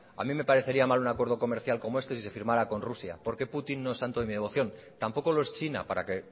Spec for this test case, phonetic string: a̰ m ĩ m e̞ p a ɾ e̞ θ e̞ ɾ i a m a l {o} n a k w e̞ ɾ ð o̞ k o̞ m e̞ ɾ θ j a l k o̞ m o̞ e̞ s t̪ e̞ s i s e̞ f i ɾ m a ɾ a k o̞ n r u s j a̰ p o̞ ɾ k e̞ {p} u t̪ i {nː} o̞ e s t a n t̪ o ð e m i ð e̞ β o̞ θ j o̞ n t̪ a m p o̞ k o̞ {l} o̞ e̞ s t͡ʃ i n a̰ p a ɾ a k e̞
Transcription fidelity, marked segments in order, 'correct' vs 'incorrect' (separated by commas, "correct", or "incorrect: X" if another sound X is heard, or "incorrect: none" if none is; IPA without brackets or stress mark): incorrect: u, correct, correct, correct